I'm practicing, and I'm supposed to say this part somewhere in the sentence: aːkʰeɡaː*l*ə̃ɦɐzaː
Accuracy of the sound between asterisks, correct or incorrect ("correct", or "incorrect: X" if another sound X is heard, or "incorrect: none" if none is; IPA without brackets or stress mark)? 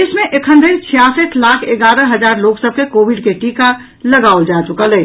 incorrect: ɾ